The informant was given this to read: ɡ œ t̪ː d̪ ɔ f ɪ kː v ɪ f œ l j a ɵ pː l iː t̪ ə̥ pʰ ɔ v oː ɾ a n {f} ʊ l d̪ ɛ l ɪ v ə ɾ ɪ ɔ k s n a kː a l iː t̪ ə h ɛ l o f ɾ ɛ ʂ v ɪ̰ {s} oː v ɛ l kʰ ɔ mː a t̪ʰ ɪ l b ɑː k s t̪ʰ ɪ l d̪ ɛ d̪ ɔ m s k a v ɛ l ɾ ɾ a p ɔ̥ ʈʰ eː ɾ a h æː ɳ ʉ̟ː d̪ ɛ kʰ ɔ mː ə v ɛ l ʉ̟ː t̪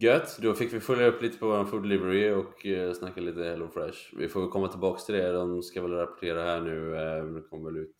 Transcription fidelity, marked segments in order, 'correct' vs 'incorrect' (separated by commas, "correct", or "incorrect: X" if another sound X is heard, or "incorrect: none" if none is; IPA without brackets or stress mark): correct, incorrect: f